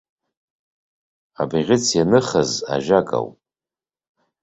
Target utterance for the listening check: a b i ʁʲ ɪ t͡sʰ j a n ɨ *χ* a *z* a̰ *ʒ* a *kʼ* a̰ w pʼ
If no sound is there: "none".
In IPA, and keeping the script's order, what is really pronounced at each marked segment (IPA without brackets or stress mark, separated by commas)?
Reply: χ, z, ʒ, kʼ